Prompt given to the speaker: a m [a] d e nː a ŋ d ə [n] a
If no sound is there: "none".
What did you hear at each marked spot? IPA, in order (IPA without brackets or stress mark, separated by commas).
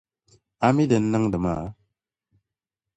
i, m